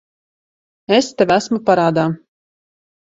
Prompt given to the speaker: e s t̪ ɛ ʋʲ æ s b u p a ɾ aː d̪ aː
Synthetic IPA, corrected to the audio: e s t̪ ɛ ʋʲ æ s m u p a ɾ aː d̪ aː